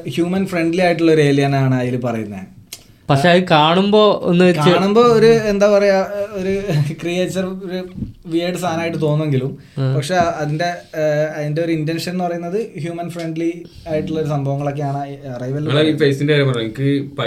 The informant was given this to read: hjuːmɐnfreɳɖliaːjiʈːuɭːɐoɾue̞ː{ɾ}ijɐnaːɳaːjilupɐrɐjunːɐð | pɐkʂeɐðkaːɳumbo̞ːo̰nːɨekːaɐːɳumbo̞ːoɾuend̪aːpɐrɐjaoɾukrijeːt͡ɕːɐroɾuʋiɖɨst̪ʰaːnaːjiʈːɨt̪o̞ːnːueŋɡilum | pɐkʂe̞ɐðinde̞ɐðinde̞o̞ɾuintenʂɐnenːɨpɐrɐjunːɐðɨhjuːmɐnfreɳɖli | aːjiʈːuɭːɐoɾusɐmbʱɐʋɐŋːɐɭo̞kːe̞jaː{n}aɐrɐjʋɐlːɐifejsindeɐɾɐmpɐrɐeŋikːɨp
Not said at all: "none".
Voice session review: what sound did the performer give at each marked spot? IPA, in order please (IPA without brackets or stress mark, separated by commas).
l, ɳ